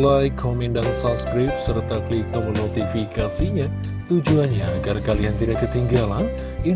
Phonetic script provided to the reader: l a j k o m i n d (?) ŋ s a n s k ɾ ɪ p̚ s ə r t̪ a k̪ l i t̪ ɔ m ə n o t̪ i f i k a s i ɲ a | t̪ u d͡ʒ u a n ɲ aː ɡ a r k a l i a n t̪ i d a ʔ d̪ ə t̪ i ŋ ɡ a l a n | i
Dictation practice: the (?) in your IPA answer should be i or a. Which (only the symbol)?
a